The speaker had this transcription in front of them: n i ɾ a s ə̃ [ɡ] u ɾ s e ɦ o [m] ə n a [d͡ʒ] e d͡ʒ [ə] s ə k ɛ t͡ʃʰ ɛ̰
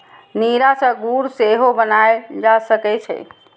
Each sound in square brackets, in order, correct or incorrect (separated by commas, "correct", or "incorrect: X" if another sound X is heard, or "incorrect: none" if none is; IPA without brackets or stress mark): correct, incorrect: b, incorrect: none, incorrect: a